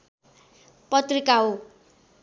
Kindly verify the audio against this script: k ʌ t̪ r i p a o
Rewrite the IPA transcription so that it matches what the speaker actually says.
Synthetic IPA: p ʌ t̪ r i k a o